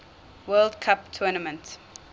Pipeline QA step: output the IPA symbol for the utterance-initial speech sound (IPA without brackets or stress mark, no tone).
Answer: w